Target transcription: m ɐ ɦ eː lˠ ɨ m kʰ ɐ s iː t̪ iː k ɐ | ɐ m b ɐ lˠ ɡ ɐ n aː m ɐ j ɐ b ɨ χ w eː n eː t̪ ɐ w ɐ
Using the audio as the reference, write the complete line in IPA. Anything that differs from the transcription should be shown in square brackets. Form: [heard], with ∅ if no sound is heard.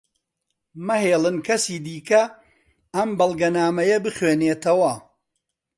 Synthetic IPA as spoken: m ɐ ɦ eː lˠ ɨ [n] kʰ ɐ s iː [d̪] iː k ɐ | ɐ m b ɐ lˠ ɡ ɐ n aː m ɐ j ɐ b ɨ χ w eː n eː t̪ ɐ w ɐ